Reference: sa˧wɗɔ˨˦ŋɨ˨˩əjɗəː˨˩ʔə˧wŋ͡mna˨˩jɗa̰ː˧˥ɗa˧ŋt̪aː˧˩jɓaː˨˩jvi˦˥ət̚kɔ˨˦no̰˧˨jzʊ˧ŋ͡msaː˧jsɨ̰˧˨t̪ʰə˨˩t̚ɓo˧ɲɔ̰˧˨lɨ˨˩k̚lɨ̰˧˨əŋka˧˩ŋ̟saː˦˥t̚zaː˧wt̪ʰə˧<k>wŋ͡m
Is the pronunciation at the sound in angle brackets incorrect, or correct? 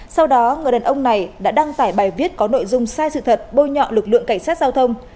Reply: incorrect